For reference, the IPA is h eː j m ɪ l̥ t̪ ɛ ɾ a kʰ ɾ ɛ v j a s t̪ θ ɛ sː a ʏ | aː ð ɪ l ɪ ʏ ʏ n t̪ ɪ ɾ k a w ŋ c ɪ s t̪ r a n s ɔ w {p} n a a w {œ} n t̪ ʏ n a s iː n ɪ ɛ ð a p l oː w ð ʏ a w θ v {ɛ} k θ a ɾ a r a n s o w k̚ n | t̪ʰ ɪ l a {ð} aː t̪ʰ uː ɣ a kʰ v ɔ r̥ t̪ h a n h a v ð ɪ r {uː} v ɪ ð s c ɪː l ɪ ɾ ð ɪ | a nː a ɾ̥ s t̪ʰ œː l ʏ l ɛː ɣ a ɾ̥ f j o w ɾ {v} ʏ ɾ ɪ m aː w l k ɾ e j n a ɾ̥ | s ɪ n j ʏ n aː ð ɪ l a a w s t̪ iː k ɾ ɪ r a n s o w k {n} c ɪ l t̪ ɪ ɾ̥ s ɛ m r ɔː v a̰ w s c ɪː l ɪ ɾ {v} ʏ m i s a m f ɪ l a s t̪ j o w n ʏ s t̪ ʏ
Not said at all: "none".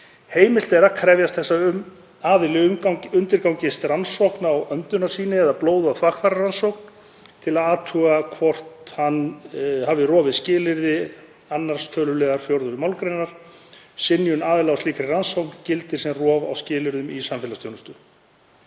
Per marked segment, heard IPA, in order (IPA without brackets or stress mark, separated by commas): k, œ, a, ð, ɔː, ð, n, ð